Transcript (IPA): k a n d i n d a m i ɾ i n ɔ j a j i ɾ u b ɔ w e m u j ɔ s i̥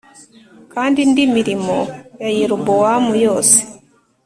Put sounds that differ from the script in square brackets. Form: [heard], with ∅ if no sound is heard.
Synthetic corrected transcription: k a n d i n d [i] m i ɾ i [m] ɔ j a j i ɾ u b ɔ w [a] m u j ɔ s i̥